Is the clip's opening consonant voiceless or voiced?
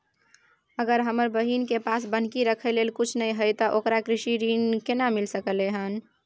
voiced